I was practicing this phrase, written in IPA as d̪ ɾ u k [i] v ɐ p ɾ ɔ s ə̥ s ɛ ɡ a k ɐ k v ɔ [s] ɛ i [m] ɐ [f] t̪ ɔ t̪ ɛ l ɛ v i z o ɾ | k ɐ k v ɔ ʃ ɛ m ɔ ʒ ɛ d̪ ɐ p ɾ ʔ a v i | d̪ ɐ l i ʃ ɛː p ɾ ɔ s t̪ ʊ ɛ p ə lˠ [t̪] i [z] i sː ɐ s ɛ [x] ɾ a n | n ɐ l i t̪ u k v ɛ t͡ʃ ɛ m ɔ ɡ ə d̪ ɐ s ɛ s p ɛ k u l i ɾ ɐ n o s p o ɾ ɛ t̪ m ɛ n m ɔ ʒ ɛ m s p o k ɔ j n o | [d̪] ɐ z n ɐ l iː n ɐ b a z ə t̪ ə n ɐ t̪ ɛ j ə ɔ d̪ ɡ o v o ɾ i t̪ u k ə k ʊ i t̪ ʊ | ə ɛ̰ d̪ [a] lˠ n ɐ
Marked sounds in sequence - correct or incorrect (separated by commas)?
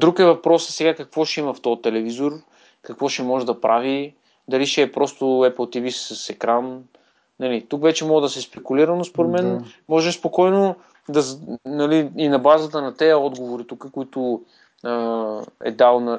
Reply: incorrect, incorrect, correct, correct, correct, incorrect, incorrect, correct, correct